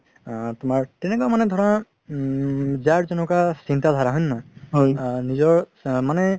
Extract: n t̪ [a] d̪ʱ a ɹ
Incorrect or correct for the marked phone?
correct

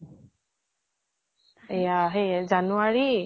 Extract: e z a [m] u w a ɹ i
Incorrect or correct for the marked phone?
incorrect: n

